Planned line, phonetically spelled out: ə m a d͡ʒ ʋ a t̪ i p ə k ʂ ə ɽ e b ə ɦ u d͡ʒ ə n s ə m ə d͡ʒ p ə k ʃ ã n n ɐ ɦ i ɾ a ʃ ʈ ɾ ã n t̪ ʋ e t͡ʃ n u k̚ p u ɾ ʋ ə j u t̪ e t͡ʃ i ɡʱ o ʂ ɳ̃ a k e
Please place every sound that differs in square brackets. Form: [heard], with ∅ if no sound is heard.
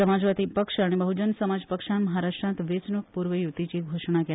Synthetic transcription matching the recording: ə m a d͡ʒ ʋ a t̪ i p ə k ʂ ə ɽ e b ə ɦ u d͡ʒ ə n s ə m [a] d͡ʒ p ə k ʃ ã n [m] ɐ ɦ [a] ɾ a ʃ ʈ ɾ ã n t̪ ʋ e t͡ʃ n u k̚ p u ɾ ʋ ə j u t̪ [i] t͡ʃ i ɡʱ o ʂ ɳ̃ a k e